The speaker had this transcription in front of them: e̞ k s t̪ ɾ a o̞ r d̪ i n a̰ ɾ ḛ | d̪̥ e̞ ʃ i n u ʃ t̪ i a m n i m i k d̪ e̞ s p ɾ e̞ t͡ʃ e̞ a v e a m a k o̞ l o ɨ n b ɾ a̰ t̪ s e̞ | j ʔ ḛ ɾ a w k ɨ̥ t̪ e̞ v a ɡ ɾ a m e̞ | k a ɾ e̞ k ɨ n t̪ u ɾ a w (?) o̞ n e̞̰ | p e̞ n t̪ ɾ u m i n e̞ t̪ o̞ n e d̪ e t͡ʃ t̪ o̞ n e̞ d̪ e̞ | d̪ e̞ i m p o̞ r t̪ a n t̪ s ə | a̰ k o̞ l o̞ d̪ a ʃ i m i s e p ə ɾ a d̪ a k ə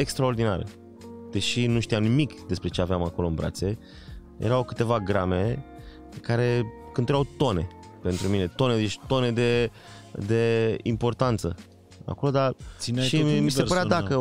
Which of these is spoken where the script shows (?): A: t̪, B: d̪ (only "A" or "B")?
A